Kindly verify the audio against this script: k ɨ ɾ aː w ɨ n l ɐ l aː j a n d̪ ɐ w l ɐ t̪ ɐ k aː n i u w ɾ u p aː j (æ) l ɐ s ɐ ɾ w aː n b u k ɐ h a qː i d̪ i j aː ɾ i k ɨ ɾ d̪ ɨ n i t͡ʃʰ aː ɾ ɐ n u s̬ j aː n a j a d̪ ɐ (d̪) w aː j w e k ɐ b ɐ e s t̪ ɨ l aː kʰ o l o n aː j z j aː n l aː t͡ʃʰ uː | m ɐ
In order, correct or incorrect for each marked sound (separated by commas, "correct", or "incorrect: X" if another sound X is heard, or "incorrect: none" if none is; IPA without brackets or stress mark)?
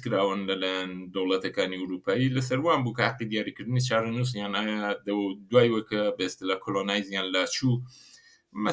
incorrect: i, correct